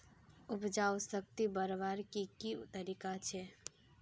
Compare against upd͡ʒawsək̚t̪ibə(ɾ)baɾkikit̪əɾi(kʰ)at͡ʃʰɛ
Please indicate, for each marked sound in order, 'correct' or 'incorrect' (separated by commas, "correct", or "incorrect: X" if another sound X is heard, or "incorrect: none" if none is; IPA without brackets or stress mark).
correct, incorrect: k